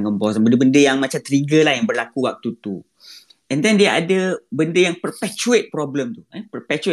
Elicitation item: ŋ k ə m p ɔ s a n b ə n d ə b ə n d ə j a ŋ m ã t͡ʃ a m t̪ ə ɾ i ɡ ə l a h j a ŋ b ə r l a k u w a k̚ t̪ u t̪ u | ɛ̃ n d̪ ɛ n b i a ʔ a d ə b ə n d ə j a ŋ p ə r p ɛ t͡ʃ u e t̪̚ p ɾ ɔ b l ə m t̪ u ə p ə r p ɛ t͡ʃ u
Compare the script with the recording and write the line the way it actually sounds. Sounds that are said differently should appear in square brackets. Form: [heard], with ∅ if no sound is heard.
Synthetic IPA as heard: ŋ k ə m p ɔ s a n b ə n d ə b ə n d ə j a ŋ m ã t͡ʃ a m t̪ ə ɾ i ɡ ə l a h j a ŋ b ə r l a k u w a k̚ t̪ u t̪ u | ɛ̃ n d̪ ɛ n [d] i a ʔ a d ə b ə n d ə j a ŋ p ə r p ɛ t͡ʃ u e t̪̚ p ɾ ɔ b l ə m t̪ u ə p ə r p ɛ t͡ʃ u